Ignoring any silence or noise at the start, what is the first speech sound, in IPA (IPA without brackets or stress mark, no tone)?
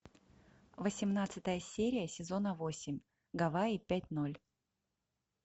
v